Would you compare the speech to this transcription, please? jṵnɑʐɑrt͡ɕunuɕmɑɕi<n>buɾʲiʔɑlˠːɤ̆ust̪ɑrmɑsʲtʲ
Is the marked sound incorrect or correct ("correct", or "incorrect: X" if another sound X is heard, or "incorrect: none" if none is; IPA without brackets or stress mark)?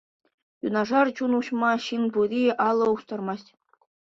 correct